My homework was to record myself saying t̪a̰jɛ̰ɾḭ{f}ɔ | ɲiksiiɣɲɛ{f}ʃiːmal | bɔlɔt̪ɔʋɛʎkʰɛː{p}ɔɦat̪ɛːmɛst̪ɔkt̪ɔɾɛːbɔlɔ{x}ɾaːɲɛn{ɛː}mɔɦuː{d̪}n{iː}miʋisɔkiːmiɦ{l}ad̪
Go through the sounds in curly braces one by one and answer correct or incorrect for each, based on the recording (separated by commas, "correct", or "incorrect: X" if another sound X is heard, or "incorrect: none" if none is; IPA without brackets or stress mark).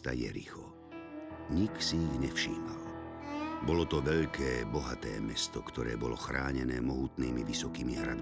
incorrect: x, correct, incorrect: b, correct, correct, incorrect: t̪, correct, incorrect: ɾ